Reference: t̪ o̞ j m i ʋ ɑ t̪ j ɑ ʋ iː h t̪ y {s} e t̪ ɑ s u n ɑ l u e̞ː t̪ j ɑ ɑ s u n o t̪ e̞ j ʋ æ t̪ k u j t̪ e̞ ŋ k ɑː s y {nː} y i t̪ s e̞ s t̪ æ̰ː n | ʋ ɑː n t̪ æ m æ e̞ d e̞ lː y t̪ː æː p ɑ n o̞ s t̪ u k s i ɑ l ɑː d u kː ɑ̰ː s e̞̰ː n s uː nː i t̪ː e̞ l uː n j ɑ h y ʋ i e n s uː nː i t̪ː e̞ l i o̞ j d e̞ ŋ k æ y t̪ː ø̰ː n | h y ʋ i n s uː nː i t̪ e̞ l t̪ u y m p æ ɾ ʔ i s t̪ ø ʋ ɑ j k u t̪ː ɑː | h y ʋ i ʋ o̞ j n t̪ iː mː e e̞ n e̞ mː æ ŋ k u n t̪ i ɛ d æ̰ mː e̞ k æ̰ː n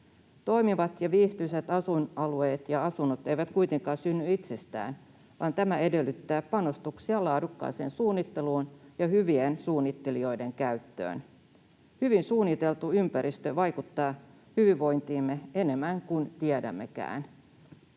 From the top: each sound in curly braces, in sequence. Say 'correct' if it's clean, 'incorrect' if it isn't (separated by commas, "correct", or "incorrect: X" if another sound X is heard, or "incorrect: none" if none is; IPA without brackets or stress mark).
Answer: correct, correct